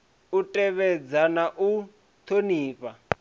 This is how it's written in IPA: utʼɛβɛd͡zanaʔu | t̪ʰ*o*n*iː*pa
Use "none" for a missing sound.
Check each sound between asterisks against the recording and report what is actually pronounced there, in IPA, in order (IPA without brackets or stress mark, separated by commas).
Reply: o, iː